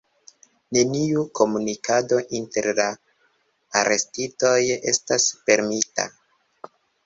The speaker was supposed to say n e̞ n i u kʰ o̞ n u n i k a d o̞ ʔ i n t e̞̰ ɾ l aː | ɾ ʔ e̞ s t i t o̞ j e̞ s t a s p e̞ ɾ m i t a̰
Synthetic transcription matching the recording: n e̞ n i u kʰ o̞ m u n i k a d o̞ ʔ i n t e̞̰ ɾ l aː | ɾ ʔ e̞ s t i t o̞ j e̞ s t a s p e̞ ɾ m i t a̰